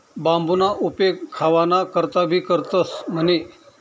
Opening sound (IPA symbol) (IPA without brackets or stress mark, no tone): b